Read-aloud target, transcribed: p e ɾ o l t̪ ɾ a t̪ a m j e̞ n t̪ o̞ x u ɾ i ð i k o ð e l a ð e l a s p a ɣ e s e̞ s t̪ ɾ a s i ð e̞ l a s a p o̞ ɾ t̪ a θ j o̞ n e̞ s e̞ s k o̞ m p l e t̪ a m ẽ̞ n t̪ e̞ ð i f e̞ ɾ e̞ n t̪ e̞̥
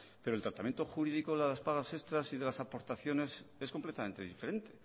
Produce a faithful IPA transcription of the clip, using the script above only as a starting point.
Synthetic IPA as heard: p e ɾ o l t̪ ɾ a t̪ a m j e̞ n t̪ o̞ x u ɾ i ð i k o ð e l a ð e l a s p a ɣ a s e̞ s t̪ ɾ a s i ð e̞ l a s a p o̞ ɾ t̪ a θ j o̞ n e̞ s e̞ s k o̞ m p l e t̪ a m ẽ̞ n t̪ e̞ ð i f e̞ ɾ e̞ n t̪ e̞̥